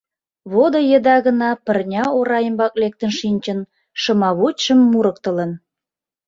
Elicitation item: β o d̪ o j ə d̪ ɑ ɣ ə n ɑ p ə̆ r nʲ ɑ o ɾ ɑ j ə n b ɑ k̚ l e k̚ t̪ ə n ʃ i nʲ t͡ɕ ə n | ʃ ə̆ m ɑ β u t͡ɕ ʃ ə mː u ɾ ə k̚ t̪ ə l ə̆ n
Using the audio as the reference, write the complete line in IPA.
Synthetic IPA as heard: β o d̪ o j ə d̪ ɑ ɣ ə n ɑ p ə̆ r nʲ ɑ o ɾ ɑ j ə m b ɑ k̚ l e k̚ t̪ ə n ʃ i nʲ t͡ɕ ə n | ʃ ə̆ m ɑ β u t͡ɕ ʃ ə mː u ɾ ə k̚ t̪ ə l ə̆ n